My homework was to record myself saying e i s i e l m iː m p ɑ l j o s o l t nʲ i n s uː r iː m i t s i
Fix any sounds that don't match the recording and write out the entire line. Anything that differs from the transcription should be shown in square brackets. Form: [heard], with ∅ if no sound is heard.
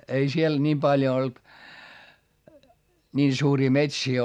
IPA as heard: e i s i e l [n] iː m p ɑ l j o [∅] o l t nʲ [iː] n s uː r iː m [e] t s [iː]